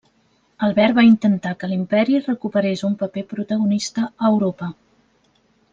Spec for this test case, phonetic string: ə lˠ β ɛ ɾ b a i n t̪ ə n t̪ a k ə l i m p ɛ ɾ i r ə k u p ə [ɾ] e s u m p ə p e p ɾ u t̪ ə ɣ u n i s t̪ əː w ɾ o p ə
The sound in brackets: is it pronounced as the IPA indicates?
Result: yes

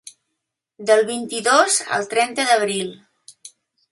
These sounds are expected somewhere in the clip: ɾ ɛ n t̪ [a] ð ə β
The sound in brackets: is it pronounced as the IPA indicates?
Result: no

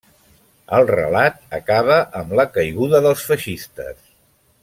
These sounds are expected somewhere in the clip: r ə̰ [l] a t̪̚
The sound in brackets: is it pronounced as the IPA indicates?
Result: yes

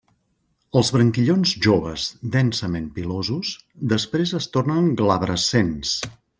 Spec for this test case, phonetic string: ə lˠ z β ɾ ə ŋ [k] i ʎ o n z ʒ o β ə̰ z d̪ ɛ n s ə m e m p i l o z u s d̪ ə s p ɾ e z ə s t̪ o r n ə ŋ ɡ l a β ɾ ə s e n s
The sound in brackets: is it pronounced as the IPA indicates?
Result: yes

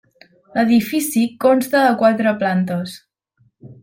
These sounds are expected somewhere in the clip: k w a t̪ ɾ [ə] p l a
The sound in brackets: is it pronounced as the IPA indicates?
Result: yes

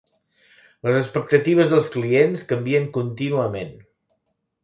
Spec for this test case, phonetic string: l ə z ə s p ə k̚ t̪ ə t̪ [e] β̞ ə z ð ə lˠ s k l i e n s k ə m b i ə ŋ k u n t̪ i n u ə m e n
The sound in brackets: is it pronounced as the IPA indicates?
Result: no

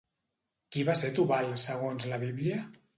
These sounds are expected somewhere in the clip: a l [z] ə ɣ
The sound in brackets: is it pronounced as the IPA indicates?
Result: no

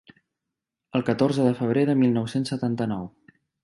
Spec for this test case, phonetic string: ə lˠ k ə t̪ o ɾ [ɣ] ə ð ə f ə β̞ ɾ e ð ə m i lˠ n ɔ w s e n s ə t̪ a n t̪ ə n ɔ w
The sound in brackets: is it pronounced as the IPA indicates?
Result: no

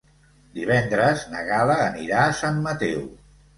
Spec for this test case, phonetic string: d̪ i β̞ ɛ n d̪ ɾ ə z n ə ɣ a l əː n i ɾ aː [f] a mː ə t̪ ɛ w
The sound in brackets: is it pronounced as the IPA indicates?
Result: no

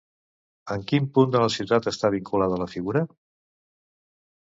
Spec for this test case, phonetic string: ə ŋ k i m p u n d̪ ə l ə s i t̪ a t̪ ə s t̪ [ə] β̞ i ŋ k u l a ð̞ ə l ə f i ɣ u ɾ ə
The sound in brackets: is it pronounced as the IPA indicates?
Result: no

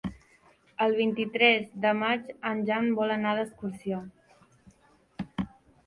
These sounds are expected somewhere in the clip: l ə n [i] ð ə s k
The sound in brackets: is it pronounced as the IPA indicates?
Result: no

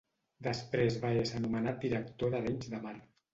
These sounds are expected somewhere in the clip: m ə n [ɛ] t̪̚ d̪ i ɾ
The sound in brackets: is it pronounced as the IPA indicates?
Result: no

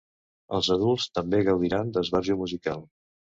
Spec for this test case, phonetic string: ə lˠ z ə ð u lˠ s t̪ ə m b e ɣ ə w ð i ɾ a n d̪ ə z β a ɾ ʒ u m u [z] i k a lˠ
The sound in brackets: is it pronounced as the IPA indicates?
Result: yes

